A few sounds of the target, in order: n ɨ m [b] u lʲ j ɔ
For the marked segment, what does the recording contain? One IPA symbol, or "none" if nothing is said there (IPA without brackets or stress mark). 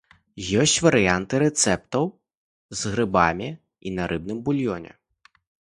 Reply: b